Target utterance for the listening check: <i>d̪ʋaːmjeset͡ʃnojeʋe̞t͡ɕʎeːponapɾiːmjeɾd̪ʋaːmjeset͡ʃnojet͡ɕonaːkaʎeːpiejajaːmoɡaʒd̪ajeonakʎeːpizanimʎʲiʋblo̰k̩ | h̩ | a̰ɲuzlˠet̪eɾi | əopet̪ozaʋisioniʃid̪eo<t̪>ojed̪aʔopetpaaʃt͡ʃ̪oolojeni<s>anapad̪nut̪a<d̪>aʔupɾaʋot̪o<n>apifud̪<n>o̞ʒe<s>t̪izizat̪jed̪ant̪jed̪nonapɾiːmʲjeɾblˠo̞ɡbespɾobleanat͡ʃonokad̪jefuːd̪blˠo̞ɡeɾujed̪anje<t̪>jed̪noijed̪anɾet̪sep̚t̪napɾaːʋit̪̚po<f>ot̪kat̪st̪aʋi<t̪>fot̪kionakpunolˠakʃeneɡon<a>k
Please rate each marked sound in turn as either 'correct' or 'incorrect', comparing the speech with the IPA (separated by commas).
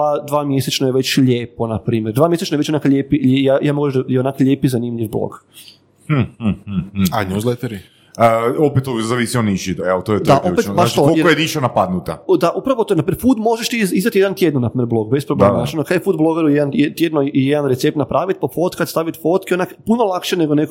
incorrect, correct, incorrect, correct, correct, incorrect, incorrect, correct, correct, correct, incorrect